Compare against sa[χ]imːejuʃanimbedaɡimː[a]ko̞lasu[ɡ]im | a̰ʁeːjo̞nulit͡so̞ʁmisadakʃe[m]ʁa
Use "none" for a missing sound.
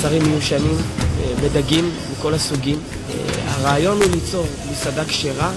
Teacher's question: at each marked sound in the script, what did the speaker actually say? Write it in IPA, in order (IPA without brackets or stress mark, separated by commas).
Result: ʁ, i, ɡ, none